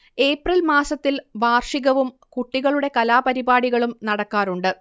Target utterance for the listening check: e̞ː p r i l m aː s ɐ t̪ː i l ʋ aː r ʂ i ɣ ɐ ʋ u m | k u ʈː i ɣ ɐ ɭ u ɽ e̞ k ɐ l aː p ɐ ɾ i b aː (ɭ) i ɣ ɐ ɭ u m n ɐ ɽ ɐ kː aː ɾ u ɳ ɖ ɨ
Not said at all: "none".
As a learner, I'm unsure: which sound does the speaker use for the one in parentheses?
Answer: ɽ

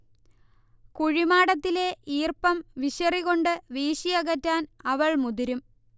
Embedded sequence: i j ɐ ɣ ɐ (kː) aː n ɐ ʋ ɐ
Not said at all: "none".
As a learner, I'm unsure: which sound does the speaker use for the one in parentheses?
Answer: tː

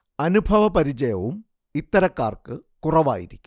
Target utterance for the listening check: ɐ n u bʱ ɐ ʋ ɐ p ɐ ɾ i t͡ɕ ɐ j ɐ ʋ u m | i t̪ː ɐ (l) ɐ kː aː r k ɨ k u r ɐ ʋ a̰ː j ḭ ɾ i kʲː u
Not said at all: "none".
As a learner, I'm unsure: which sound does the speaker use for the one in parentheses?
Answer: ɾ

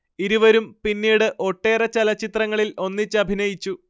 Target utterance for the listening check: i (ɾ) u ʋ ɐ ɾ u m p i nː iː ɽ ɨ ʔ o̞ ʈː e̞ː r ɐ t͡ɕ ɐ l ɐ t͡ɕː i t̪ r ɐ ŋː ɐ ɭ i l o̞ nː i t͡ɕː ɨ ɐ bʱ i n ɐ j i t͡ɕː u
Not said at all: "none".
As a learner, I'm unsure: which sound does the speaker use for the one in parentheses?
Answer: ɾ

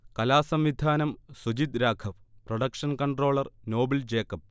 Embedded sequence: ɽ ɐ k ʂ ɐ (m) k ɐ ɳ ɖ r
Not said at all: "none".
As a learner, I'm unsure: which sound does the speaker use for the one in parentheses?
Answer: n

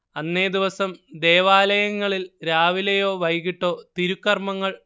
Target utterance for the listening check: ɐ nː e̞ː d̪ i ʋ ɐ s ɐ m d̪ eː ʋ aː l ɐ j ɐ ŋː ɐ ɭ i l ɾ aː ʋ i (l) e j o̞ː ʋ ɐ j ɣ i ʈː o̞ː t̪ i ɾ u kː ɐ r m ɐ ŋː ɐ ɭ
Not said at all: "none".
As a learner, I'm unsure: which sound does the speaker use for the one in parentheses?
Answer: l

